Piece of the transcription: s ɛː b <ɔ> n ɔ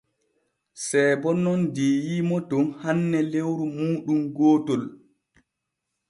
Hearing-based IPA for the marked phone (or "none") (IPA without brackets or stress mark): ɔ